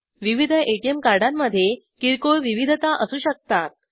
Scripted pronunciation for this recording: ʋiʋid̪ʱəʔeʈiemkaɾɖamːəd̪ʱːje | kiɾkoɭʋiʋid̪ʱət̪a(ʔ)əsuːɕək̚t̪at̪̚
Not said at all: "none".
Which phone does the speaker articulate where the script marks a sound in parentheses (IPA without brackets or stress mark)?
ʔ